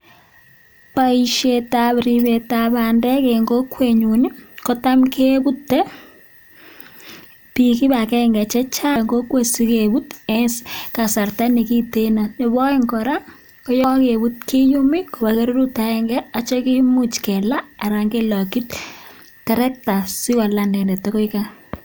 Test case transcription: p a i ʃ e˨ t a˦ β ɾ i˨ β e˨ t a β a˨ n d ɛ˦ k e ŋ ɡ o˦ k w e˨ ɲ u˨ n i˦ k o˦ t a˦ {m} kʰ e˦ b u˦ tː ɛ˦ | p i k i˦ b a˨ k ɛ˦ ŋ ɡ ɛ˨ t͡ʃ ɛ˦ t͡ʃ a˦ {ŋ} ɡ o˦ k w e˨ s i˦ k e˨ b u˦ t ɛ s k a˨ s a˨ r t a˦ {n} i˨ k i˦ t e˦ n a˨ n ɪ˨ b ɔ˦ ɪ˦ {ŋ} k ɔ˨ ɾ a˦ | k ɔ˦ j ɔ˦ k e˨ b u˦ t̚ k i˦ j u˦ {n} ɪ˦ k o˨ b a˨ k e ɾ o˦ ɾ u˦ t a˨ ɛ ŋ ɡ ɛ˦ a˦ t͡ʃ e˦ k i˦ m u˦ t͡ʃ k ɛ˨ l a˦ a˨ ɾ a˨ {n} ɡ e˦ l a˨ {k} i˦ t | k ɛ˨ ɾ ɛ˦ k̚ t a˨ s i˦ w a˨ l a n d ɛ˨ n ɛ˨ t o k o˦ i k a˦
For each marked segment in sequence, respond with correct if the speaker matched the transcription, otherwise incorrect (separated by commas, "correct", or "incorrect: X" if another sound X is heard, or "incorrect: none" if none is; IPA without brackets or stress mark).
correct, correct, correct, correct, incorrect: m, incorrect: ŋ, correct